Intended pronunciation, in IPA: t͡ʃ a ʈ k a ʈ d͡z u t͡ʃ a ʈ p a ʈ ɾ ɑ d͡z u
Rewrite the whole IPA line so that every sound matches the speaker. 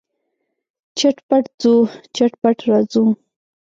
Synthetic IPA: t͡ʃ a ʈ p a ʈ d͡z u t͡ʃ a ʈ p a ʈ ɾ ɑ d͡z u